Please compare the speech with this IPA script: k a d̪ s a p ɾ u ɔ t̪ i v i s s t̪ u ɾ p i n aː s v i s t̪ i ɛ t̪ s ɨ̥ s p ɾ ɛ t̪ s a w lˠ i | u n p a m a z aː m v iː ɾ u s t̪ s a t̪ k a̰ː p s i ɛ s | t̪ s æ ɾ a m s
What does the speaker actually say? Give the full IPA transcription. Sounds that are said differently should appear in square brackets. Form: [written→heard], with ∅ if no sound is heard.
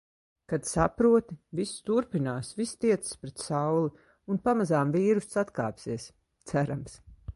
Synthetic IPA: k a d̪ s a p ɾ u ɔ t̪ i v i s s t̪ u ɾ p i n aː s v i s t̪ i ɛ t̪ s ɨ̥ s p ɾ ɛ t̪ s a w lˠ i | u n p a m a z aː m v iː ɾ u s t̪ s a t̪ k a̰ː p s i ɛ s | t̪ s æ ɾ a m s